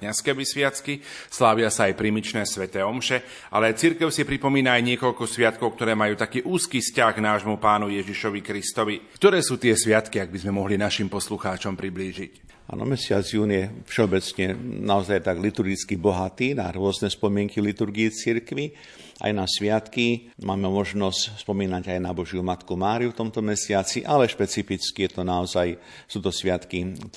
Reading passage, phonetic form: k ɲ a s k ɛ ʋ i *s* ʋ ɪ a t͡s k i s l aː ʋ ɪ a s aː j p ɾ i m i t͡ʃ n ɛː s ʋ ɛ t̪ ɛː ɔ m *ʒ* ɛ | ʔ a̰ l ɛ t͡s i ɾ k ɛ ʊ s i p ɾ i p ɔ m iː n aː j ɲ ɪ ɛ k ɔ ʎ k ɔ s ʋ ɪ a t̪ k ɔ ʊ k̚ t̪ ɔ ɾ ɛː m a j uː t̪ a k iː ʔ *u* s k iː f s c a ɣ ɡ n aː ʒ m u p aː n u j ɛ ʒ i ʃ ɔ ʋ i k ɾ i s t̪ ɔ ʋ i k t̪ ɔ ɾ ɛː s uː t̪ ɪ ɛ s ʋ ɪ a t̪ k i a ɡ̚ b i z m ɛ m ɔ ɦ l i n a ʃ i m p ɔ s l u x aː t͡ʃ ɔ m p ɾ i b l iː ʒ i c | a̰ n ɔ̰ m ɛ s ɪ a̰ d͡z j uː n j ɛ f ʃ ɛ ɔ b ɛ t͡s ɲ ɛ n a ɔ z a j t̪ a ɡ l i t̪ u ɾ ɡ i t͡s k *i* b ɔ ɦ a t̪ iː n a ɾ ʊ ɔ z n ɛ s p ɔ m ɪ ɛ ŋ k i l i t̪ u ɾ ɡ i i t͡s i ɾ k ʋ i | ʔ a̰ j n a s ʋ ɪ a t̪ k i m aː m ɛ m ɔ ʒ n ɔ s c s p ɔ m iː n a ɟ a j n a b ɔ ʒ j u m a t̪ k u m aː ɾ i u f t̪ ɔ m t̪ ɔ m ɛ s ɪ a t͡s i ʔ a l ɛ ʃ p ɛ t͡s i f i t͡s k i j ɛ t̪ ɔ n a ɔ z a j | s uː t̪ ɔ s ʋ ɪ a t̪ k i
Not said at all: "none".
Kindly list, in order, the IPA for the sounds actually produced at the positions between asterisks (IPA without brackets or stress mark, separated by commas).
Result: s, ʃ, uː, i